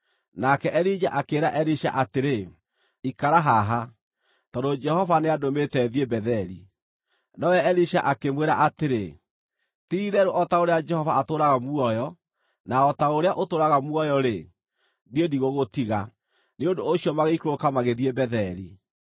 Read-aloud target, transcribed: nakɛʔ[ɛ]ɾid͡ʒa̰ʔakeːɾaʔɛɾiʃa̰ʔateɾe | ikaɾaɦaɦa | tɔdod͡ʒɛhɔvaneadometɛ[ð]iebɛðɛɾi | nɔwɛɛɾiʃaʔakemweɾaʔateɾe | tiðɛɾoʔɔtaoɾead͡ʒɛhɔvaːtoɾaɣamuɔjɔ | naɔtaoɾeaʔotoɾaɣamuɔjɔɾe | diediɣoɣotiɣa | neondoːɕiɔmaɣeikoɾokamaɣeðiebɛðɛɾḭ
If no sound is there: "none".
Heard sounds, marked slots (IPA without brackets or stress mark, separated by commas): ɛ, ð